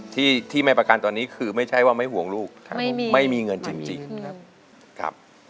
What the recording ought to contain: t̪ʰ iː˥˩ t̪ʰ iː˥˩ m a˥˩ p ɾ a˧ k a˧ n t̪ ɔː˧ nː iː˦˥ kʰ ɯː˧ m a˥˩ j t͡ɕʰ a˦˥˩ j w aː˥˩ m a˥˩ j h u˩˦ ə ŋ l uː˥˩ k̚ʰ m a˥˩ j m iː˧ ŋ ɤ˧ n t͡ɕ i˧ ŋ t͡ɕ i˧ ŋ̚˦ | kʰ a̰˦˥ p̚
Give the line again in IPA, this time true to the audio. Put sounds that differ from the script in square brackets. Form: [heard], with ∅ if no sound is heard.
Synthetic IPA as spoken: t̪ʰ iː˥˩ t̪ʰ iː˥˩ m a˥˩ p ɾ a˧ k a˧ n t̪ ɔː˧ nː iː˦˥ kʰ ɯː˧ m a˥˩ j t͡ɕʰ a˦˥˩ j w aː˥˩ m a˥˩ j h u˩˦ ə ŋ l uː˥˩ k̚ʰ m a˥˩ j m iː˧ ŋ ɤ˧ n t͡ɕ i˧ ŋ t͡ɕ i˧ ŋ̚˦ | kʰ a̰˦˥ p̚